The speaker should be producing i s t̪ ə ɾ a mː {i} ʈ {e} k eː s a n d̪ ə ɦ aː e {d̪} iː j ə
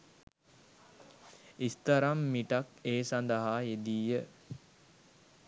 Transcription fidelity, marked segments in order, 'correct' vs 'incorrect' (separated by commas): correct, incorrect, correct